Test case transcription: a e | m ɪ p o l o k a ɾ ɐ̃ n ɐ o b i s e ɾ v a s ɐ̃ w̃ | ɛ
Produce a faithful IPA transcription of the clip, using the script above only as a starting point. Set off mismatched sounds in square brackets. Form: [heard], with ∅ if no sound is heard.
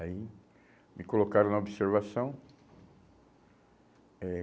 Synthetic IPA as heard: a [i] | m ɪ [k] o l o k a ɾ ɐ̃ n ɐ o b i s e ɾ v a s ɐ̃ w̃ | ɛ